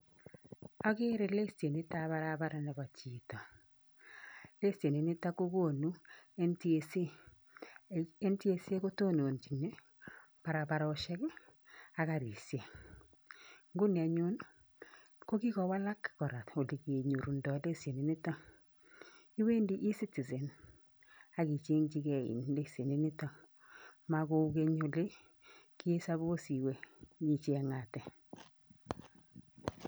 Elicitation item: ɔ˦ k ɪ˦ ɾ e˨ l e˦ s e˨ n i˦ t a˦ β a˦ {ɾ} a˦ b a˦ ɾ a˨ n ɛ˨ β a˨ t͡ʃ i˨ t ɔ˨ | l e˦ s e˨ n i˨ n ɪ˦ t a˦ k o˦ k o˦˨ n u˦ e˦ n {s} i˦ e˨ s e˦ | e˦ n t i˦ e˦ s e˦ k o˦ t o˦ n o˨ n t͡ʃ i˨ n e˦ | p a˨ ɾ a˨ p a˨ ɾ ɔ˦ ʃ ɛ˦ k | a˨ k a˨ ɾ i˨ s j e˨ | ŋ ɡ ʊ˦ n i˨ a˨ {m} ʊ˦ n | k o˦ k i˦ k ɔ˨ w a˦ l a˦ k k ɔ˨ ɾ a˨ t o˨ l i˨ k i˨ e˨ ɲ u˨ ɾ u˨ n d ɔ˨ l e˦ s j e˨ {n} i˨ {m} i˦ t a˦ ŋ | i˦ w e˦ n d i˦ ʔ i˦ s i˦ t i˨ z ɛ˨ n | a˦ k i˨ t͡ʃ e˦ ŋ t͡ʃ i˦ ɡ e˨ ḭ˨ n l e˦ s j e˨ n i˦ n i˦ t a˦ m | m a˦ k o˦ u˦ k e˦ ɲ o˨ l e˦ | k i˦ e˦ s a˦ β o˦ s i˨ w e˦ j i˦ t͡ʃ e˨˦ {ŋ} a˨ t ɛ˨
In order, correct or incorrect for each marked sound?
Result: correct, incorrect, incorrect, correct, incorrect, correct

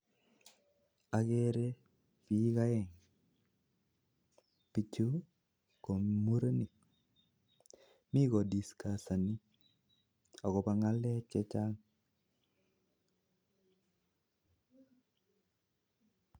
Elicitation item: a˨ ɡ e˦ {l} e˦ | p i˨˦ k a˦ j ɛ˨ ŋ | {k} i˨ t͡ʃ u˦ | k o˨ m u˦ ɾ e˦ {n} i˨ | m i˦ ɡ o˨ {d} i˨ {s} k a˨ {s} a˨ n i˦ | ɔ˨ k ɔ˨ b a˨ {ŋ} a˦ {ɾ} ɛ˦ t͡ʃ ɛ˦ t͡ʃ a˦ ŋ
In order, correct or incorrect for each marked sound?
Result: incorrect, incorrect, correct, correct, correct, correct, correct, incorrect

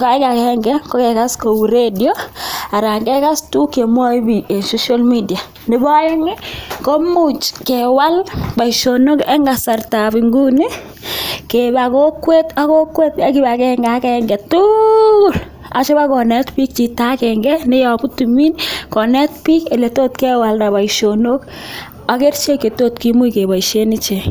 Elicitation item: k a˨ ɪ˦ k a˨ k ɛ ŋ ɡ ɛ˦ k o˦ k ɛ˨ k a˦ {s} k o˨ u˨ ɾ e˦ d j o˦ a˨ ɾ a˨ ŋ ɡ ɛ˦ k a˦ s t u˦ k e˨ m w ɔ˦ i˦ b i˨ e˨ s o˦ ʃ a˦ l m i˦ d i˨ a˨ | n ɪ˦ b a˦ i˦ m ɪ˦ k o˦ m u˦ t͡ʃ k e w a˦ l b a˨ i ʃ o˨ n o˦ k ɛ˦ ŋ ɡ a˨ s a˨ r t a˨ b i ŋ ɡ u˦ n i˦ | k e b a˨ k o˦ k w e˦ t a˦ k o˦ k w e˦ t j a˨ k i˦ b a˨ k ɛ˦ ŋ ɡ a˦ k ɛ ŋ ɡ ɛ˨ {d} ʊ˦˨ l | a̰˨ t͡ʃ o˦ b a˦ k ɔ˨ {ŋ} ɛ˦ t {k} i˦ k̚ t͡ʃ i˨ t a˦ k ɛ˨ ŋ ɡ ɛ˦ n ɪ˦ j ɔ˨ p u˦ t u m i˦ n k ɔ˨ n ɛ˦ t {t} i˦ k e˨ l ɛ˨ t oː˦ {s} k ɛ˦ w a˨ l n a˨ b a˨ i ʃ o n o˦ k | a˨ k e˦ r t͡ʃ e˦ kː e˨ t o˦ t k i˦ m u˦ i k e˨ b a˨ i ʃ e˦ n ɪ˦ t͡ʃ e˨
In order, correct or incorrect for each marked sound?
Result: correct, incorrect, incorrect, incorrect, incorrect, incorrect

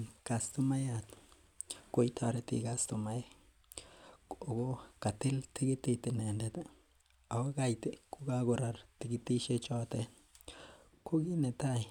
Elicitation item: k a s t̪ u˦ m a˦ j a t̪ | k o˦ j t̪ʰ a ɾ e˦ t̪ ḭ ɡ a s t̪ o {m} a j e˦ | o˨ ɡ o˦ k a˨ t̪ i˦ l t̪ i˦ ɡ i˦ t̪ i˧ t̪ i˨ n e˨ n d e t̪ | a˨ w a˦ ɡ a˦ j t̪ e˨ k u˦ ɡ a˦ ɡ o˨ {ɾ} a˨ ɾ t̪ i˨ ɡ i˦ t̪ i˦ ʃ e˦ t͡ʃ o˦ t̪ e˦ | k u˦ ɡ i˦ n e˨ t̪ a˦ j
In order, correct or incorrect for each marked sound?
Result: correct, correct

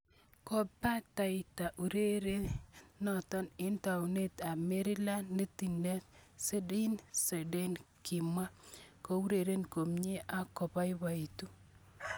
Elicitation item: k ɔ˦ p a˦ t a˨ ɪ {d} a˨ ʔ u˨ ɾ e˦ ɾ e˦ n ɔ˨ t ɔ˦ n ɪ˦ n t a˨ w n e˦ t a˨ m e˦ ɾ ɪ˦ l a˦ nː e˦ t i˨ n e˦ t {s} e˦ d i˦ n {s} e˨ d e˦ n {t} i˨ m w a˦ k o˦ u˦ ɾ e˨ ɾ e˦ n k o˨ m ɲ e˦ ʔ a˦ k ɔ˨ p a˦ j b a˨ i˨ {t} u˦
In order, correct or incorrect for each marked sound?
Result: incorrect, correct, correct, incorrect, correct

